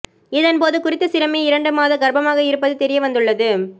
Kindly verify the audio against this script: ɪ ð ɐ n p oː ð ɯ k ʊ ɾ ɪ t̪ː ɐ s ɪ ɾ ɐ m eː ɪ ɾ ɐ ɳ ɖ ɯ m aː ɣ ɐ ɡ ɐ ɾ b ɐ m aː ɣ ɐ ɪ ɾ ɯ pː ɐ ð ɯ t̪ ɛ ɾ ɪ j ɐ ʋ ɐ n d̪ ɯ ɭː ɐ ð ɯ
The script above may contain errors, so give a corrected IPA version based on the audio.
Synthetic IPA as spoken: ɪ ð ɐ n p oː ð ɯ k ʊ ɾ ɪ t̪ː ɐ s ɪ ɾ ɐ m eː ɪ ɾ ɐ ɳ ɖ ɯ m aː ð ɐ ɡ ɐ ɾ b ɐ m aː ɣ ɐ ɪ ɾ ɯ pː ɐ ð ɯ t̪ ɛ ɾ ɪ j ɐ ʋ ɐ n d̪ ɯ ɭː ɐ ð ɯ